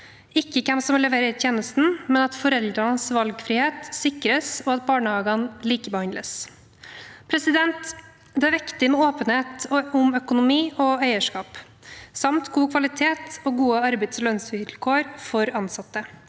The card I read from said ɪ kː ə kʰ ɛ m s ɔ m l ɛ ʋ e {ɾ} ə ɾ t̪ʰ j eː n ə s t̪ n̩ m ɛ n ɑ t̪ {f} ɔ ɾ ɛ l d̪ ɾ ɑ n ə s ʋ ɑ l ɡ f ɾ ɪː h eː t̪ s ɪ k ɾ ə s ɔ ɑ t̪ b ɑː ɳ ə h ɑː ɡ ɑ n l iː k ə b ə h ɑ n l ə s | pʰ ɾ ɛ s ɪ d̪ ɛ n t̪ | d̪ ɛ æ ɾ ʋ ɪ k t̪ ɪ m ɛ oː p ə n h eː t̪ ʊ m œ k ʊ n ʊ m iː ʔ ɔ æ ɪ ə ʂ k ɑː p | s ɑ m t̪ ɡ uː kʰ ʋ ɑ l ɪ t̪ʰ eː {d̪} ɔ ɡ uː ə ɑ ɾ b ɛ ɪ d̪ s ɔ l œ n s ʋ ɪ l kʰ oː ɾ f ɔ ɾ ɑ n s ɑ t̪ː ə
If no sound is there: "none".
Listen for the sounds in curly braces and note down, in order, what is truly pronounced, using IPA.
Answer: ɾ, f, t̪

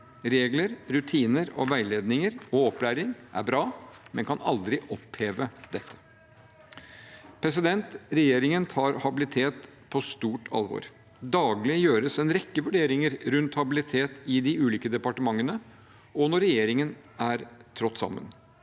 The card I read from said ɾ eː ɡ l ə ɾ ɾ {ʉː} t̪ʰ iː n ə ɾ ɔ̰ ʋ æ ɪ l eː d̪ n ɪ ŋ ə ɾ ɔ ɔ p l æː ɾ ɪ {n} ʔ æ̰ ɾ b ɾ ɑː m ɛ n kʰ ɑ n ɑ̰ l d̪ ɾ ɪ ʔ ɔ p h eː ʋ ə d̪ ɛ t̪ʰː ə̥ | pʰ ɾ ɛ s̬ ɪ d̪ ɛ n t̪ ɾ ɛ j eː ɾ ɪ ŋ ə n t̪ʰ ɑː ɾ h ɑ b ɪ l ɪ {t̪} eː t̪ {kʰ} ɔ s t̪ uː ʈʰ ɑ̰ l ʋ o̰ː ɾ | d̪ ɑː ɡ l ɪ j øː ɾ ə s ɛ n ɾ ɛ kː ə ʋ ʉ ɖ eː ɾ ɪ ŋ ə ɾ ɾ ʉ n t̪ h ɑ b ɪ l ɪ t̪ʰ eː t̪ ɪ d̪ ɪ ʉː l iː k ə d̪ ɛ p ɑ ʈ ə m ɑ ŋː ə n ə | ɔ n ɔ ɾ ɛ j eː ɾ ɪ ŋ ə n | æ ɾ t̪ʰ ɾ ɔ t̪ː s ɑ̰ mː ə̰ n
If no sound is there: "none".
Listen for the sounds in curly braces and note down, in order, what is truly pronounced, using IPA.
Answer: ʉ, ŋ, t̪ʰ, pʰ

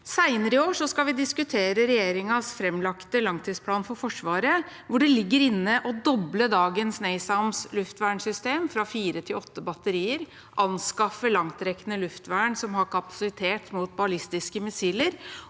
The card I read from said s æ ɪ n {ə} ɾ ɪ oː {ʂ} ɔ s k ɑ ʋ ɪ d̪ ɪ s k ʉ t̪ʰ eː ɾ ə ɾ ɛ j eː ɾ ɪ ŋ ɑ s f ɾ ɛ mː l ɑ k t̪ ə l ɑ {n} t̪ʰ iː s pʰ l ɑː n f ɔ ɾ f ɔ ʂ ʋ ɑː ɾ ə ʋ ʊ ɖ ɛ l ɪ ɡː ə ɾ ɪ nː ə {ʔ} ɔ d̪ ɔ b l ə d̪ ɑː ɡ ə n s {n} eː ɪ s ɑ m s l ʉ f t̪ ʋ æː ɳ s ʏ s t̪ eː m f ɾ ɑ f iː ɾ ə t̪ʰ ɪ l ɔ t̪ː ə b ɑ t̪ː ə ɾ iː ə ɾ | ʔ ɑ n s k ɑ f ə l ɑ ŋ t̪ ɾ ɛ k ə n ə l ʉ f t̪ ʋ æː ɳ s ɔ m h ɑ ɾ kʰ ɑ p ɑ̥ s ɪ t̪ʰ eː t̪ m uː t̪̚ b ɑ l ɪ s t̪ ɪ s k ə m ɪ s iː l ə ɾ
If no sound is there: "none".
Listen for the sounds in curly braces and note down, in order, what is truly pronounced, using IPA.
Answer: ə, ʂ, ŋ, ʔ, n

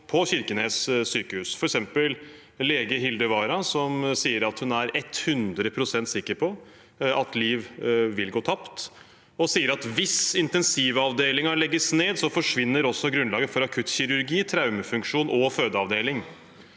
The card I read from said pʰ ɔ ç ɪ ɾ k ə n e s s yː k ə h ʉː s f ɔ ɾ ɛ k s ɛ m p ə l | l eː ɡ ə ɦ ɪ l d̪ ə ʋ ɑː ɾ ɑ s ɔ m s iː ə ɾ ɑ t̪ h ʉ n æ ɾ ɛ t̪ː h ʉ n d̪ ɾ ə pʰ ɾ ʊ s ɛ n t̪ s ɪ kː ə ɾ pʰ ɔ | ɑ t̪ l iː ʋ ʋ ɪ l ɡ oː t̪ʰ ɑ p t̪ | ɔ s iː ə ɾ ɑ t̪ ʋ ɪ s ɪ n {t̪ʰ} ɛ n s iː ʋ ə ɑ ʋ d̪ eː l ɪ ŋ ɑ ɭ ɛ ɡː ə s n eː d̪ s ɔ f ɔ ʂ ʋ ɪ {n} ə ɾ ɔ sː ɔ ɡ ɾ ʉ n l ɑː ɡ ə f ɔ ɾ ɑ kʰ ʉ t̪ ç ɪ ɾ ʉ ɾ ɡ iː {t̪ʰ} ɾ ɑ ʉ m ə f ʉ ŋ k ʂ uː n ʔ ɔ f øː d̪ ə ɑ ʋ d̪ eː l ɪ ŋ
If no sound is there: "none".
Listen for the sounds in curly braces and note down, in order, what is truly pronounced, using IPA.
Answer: t̪, nː, t̪ʰ

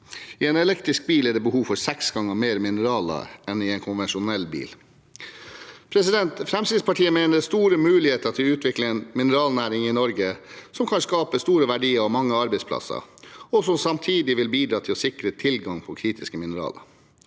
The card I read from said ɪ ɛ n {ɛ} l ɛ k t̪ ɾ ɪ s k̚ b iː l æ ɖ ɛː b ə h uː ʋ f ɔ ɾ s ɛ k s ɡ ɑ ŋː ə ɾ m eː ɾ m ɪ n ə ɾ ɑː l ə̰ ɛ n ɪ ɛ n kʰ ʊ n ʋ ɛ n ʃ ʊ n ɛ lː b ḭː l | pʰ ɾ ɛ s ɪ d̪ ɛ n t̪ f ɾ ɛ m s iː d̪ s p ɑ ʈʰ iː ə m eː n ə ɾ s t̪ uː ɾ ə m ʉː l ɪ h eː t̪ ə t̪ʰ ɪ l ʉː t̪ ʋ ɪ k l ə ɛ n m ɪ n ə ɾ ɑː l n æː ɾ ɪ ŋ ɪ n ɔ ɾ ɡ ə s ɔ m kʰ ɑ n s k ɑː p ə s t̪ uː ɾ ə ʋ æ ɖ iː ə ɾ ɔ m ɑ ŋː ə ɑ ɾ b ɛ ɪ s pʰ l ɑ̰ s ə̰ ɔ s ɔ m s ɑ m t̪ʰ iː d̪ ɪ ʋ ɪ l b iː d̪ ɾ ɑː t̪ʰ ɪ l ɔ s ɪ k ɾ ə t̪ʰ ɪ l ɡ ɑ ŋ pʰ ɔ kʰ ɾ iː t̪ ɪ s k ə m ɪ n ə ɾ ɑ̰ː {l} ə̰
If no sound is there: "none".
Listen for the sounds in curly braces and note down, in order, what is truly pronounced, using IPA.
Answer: ɛ, l

